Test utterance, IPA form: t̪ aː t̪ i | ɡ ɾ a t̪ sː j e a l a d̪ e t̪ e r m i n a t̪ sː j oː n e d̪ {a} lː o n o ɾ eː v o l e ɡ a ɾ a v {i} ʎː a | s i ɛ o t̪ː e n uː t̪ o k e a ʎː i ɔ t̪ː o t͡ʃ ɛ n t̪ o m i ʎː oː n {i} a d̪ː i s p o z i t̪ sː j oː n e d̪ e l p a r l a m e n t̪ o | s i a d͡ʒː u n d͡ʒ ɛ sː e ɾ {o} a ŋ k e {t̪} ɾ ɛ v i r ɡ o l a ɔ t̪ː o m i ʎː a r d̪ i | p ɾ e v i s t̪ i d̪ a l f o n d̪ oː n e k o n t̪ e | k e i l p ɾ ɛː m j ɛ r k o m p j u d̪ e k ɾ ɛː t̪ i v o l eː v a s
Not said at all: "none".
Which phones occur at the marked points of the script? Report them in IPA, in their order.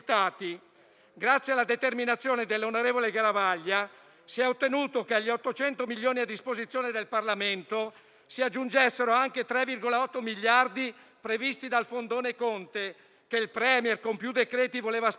e, a, i, o, t̪

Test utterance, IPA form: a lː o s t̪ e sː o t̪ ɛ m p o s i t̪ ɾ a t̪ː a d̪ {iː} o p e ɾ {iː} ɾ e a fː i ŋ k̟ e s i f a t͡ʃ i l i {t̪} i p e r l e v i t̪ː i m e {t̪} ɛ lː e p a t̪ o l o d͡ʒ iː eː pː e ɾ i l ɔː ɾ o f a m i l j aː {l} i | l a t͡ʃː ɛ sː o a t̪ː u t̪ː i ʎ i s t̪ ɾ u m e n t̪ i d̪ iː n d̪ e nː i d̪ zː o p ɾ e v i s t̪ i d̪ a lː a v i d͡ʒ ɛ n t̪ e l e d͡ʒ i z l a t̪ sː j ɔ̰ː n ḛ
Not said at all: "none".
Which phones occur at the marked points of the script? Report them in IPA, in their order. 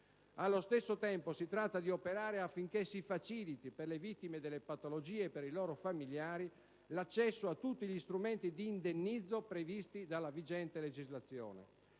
i, aː, t̪, d̪, ɾ

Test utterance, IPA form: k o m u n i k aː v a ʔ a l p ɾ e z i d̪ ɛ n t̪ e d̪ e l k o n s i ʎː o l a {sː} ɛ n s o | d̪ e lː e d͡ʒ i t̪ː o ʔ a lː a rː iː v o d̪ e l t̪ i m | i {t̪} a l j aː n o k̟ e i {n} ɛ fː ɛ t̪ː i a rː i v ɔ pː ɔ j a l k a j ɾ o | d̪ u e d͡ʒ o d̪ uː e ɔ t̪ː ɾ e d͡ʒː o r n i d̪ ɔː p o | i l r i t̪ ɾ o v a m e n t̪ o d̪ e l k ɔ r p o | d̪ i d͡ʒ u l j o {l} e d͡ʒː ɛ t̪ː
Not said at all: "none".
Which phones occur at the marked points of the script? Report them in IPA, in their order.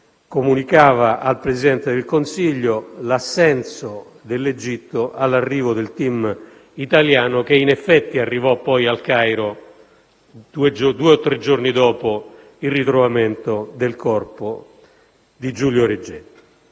sː, t̪, n, ɾ

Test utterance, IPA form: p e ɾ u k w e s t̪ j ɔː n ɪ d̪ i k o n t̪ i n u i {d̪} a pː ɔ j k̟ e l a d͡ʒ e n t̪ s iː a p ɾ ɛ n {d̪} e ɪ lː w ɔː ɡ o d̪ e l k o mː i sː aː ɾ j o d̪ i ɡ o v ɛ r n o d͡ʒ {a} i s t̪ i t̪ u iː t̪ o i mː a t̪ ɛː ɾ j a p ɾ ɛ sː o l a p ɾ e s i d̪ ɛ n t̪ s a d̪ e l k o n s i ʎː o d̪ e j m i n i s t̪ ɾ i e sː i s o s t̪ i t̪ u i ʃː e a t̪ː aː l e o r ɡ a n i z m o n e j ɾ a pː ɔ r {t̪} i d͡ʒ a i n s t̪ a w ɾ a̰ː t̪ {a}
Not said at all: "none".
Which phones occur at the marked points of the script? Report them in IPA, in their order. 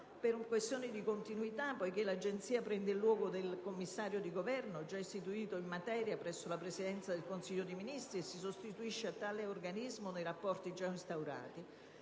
t̪, d̪, a, t̪, i

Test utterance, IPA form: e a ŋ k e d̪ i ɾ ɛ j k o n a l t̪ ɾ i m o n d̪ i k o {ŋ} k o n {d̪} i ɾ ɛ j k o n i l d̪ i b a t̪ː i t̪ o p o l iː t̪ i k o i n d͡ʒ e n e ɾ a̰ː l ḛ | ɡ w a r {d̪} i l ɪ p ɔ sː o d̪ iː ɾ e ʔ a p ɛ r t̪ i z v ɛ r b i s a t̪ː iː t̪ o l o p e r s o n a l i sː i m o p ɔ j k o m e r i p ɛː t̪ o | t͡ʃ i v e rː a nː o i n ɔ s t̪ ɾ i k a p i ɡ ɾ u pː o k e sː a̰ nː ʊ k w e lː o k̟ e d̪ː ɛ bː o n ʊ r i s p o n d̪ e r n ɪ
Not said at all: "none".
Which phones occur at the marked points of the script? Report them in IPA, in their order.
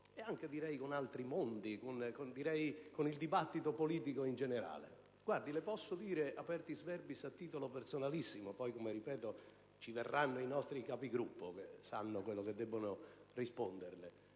n, d̪, d̪

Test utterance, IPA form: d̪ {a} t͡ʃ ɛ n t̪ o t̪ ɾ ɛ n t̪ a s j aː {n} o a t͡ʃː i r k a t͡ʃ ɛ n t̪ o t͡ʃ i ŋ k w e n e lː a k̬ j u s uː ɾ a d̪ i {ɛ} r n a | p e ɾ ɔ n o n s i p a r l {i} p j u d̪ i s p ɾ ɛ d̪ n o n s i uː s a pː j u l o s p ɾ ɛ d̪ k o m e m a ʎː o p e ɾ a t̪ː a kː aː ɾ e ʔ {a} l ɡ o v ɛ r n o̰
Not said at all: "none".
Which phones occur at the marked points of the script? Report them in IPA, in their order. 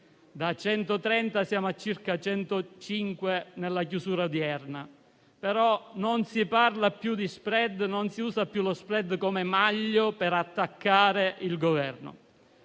a, m, ɛ, a, i

